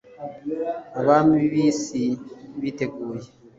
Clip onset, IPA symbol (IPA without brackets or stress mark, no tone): a